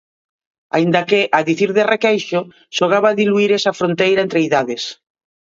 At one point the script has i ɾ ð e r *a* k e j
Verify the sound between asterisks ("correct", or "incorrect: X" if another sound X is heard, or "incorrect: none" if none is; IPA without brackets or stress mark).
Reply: incorrect: e